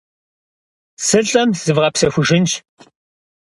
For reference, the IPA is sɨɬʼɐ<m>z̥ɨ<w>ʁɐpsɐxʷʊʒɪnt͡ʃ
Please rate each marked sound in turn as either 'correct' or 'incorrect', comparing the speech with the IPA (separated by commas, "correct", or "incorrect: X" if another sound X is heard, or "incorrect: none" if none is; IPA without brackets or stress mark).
correct, incorrect: v